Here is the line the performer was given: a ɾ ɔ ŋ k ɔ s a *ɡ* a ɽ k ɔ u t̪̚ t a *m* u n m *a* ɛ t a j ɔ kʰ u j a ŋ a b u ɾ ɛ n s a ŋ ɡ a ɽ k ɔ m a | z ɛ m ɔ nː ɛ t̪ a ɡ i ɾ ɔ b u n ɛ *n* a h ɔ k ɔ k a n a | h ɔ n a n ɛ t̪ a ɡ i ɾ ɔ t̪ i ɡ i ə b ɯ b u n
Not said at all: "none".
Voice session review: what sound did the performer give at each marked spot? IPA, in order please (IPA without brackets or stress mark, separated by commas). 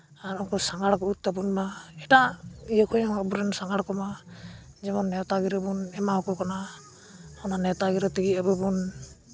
ŋ, b, a, m